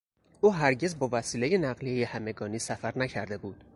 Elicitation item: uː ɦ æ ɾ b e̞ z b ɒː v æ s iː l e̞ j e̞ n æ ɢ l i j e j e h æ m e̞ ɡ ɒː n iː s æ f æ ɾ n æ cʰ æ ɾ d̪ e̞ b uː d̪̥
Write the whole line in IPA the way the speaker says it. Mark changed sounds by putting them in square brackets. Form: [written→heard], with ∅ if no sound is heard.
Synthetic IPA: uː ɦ æ ɾ [b→ɟ] e̞ z b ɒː v æ s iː l e̞ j e̞ n æ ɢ l i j e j e h æ m e̞ ɡ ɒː n iː s æ f æ ɾ n æ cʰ æ ɾ d̪ e̞ b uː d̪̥